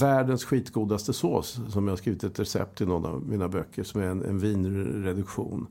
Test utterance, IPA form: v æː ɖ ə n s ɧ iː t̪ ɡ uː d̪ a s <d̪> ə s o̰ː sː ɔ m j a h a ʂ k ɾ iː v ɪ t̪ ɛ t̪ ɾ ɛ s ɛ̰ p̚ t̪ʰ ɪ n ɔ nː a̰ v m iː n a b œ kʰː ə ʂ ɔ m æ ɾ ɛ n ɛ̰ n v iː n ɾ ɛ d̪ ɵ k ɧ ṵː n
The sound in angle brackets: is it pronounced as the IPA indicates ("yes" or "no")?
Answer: no